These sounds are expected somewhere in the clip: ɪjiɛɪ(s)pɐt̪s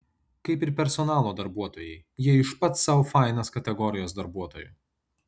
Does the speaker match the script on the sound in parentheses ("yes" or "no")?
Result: no